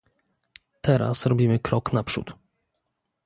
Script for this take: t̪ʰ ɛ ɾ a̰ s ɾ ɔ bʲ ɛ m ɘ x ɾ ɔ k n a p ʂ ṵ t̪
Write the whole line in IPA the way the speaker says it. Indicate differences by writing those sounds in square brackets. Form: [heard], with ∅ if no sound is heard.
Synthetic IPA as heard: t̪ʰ ɛ ɾ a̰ s ɾ ɔ bʲ [i] m ɘ [k] ɾ ɔ k n a p ʂ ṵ t̪